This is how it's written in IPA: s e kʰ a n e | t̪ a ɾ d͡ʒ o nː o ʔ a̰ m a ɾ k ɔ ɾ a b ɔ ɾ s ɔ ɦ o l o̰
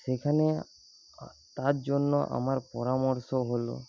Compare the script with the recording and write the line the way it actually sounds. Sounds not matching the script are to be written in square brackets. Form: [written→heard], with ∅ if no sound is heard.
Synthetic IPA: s e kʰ a n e | t̪ a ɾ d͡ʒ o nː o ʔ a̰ m a ɾ [k→p] ɔ ɾ a [b→m] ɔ ɾ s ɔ ɦ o l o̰